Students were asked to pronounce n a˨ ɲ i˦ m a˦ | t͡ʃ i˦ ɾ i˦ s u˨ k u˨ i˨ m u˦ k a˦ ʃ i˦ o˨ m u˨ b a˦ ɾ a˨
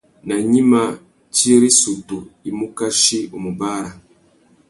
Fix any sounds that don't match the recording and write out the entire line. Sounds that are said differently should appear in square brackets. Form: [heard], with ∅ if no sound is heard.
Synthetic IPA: n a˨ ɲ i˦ m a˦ | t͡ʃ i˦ ɾ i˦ s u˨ [t] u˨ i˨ m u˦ k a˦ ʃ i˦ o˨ m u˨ b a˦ ɾ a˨